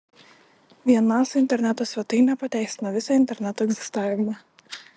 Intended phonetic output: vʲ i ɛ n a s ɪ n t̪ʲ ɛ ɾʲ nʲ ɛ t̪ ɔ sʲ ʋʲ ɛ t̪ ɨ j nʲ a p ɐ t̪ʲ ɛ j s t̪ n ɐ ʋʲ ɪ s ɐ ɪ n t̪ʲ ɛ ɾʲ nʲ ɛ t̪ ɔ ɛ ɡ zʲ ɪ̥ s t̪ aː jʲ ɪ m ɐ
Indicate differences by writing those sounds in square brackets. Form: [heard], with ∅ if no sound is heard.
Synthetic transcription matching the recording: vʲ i ɛ n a s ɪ n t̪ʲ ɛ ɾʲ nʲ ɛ t̪ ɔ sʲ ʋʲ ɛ t̪ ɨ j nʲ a p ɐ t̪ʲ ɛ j s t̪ n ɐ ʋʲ ɪ s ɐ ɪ n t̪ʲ ɛ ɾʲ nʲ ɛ t̪ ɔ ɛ ɡ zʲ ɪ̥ s t̪ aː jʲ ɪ m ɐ